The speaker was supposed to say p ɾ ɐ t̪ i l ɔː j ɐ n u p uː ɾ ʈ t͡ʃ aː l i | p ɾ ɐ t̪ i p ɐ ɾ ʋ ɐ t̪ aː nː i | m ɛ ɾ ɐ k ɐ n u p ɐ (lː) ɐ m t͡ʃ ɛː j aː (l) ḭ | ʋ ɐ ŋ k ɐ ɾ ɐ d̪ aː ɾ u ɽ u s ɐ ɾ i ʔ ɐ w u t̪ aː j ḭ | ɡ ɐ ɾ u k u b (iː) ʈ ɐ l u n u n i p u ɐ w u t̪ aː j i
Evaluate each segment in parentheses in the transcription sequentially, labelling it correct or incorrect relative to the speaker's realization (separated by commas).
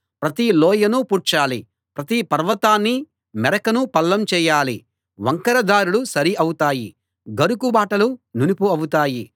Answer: correct, correct, incorrect